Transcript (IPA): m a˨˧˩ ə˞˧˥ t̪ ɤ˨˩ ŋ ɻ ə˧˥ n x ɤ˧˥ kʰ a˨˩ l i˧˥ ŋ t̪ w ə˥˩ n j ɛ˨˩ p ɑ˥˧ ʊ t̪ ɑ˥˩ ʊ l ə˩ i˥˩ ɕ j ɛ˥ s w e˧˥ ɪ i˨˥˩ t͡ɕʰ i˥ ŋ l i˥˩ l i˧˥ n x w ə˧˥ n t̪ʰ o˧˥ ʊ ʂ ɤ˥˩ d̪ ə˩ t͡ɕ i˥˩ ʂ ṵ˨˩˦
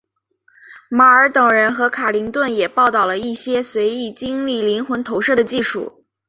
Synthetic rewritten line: m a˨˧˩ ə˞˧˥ t̪ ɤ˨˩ ŋ ɻ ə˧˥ n x ɤ˧˥ kʰ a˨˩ l i˧˥ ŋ t̪ w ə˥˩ n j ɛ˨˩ p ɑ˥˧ ʊ t̪ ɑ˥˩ ʊ l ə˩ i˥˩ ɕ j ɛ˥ s w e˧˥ ɪ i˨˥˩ t͡ɕ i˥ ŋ l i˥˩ l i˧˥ n x w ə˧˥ n t̪ʰ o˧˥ ʊ ʂ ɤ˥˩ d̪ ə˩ t͡ɕ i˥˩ ʂ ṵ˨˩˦